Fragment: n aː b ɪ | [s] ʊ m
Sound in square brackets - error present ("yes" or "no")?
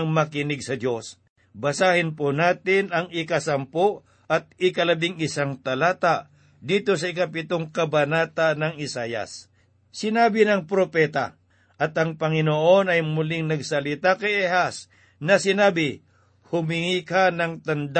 yes